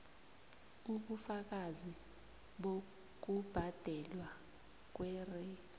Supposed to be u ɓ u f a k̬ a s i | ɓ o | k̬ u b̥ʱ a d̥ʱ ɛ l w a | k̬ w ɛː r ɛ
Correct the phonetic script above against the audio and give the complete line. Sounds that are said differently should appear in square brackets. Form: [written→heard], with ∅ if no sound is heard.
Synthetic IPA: u ɓ u f a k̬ a [s→z] i | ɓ o | k̬ u b̥ʱ a d̥ʱ ɛ l w a | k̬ w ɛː r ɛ